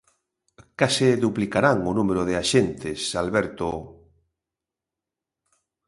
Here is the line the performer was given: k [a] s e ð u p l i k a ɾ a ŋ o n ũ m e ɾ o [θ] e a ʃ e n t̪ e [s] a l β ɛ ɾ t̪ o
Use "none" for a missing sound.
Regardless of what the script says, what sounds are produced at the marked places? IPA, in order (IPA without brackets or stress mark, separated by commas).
a, ð, s